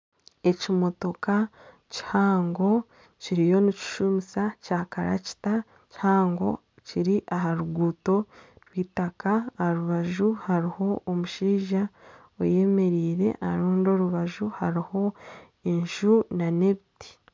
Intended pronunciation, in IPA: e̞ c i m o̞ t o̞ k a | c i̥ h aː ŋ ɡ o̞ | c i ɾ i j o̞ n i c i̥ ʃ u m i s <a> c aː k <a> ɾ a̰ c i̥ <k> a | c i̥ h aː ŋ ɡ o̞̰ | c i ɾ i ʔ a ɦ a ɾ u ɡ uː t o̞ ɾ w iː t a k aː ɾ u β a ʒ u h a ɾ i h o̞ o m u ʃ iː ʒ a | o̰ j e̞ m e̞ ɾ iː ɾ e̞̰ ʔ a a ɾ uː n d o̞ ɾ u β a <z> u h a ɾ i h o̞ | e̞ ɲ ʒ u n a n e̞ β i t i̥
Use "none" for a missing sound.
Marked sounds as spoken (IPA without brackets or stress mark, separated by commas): a, a, t, ʒ